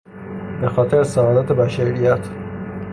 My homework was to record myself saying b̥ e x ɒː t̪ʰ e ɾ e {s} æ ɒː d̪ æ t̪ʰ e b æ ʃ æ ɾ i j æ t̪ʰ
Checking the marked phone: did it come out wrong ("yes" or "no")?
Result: no